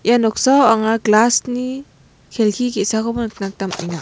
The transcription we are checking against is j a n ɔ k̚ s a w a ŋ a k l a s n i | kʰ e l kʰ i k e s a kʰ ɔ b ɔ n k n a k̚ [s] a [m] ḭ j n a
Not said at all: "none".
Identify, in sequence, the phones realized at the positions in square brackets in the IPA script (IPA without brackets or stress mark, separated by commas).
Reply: t, m